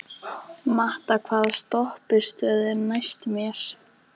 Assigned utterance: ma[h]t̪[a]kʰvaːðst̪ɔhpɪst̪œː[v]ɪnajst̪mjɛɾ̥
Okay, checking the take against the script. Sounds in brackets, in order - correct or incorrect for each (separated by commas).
correct, correct, incorrect